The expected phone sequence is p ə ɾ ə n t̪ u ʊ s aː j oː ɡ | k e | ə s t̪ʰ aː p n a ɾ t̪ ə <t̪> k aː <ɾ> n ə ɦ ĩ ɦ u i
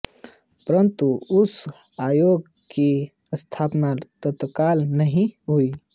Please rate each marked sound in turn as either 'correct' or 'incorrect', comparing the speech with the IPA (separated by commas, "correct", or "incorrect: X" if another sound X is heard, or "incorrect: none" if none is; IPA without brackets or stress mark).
correct, incorrect: l